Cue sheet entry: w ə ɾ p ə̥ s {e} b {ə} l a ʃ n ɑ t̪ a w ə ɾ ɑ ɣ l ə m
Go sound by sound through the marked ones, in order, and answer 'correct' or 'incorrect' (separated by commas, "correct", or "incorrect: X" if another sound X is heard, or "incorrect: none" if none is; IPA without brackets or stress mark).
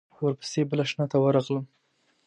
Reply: correct, correct